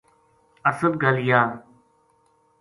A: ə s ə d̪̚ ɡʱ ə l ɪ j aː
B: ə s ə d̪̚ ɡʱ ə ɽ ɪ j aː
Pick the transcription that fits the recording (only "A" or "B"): A